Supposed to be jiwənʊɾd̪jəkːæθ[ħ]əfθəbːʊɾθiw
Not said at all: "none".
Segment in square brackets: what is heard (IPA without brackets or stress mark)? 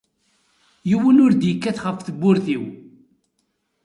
χ